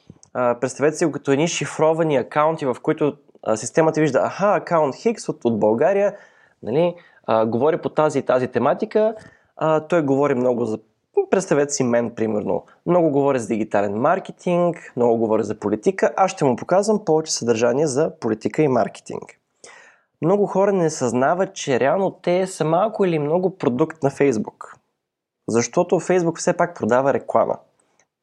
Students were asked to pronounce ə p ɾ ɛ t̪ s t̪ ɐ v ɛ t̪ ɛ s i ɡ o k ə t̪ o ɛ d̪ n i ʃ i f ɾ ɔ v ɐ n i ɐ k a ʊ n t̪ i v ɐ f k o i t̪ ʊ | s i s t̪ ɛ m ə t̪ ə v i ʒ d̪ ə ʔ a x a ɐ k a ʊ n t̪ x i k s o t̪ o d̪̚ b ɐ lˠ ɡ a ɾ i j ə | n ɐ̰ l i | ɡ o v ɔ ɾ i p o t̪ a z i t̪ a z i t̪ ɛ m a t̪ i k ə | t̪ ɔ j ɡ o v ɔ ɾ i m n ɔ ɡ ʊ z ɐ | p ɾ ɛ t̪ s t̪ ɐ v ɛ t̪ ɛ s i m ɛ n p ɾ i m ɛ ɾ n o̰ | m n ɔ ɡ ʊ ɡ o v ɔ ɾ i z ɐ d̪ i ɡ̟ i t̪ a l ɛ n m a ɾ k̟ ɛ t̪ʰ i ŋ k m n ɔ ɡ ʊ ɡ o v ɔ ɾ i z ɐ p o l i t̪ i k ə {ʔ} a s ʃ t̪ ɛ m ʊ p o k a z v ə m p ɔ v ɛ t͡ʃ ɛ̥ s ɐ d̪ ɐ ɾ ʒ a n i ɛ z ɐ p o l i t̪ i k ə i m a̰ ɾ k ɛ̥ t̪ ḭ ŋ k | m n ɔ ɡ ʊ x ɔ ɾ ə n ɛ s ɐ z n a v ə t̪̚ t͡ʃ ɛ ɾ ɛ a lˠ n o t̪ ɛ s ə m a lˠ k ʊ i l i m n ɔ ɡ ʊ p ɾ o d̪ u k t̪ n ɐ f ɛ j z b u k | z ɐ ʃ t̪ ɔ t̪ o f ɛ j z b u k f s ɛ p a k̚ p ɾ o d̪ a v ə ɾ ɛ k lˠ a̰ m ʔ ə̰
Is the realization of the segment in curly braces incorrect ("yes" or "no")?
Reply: no